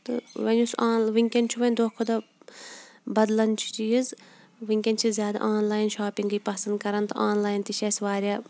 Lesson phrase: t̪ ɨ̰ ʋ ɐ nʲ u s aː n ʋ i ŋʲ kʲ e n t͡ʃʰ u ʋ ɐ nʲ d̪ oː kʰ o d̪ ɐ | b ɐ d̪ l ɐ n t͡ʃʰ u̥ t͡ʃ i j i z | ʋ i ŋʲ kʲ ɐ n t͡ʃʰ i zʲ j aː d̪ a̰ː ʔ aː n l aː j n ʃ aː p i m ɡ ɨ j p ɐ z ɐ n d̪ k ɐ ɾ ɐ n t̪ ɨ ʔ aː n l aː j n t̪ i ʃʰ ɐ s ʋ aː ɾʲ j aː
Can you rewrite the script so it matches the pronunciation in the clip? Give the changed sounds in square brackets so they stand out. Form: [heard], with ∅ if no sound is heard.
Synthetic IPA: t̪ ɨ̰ ʋ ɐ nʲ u s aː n ʋ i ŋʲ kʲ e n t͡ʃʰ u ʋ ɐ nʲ d̪ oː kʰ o d̪ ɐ | b ɐ d̪ l ɐ n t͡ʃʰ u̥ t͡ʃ i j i z | ʋ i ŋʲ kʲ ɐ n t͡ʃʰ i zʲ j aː d̪ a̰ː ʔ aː n l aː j n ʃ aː p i [ŋ] ɡ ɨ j p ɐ [s] ɐ n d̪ k ɐ ɾ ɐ n t̪ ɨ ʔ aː n l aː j n t̪ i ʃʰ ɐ s ʋ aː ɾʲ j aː